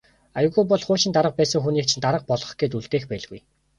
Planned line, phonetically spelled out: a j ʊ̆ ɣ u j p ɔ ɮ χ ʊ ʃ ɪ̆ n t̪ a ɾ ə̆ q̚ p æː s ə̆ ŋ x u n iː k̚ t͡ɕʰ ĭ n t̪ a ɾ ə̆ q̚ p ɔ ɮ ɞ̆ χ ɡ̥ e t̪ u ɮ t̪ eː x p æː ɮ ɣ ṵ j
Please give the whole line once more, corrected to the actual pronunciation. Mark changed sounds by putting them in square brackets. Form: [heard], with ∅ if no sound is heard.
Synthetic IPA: a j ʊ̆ ɣ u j p ɔ ɮ χ [ʊː] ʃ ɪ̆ n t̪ a ɾ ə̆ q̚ p æː s ə̆ ŋ x u n iː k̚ t͡ɕʰ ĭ n t̪ a ɾ ə̆ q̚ p ɔ ɮ ɞ̆ χ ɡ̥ e t̪ u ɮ t̪ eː x p æː ɮ ɣ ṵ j